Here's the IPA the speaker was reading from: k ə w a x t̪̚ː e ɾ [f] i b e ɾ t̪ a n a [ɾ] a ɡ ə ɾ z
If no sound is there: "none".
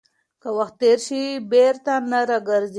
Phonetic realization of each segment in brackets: ʃ, ɾ

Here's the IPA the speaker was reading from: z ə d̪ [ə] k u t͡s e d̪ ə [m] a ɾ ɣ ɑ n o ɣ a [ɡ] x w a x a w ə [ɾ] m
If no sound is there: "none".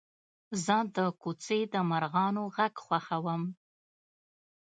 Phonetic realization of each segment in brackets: ə, m, ɡ, none

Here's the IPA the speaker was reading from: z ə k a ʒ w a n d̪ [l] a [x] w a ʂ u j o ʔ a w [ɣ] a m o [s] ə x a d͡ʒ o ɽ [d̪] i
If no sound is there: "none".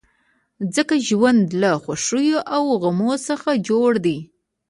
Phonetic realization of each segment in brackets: l, x, ɣ, s, d̪

